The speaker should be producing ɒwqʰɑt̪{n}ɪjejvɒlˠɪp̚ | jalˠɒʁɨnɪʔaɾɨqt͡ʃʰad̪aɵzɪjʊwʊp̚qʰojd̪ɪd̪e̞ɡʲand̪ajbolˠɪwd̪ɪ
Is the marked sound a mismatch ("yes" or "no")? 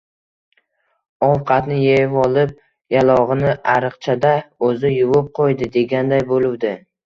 no